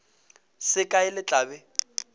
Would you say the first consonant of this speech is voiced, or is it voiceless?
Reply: voiceless